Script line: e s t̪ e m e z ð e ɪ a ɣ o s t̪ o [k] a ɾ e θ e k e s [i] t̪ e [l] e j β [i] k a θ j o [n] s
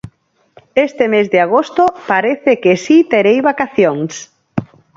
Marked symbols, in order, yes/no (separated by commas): no, yes, no, no, no